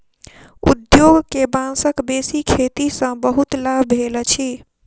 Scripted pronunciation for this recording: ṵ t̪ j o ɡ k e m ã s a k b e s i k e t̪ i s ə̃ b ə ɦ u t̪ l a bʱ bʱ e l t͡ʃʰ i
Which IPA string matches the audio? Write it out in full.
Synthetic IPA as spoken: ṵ d̪ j o ɡ k e b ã s ə k b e s i kʰ e t̪ i s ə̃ b ə ɦ u t̪ l a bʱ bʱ e l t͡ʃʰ i